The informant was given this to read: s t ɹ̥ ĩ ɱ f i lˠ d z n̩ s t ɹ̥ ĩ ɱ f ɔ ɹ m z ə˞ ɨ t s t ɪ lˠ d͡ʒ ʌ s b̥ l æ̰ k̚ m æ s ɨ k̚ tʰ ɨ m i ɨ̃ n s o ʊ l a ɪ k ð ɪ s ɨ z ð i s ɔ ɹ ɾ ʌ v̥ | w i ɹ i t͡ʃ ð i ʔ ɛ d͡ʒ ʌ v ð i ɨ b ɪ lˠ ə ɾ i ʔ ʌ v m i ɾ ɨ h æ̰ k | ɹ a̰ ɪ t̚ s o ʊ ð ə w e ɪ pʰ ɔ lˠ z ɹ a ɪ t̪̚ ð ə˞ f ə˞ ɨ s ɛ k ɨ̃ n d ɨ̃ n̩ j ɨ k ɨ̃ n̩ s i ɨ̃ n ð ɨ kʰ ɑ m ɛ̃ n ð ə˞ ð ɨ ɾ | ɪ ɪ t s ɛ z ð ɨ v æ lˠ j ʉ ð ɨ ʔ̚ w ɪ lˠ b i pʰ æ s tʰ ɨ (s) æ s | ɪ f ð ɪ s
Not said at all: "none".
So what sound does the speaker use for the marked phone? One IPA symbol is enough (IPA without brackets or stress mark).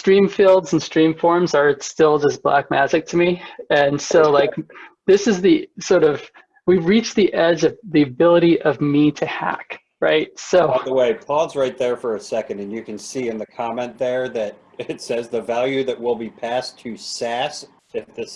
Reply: s